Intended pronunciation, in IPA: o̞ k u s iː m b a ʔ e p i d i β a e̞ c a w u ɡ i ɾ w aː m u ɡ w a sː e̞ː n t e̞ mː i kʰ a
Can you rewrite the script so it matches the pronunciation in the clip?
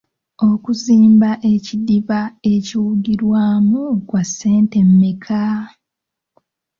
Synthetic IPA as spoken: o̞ k u z iː m b a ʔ e c i d i β a e̞ c i w u ɡ i ɾ w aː m u k w a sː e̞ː n t e̞ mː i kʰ a